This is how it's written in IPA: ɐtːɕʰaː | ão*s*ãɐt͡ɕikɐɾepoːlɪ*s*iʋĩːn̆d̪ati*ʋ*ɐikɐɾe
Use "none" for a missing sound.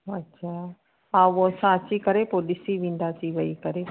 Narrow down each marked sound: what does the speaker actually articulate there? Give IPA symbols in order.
s, s, ʋ

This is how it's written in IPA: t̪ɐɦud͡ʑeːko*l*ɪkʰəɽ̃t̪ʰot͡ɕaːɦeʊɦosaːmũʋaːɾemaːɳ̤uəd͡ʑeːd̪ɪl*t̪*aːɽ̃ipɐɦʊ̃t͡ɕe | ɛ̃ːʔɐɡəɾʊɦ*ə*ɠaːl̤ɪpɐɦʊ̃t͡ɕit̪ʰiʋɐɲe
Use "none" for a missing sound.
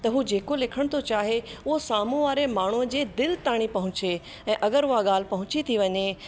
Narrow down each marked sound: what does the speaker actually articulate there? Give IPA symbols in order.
l, t̪, a

